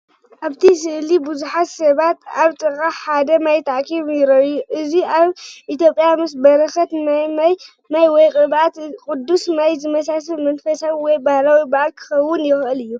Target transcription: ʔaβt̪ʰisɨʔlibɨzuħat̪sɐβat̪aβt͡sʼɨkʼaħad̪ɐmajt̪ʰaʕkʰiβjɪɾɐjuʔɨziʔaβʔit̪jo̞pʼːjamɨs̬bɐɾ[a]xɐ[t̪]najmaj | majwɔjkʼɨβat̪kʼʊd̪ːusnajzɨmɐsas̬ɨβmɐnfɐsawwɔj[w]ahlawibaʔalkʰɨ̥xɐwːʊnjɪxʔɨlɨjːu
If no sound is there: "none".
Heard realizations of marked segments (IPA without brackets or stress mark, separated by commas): ɐ, t̪, b